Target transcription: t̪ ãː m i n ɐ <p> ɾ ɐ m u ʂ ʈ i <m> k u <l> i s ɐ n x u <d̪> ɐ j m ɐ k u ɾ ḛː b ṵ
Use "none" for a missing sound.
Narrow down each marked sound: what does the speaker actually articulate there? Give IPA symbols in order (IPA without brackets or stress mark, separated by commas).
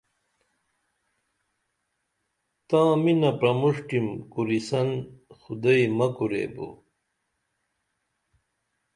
p, m, ɾ, d̪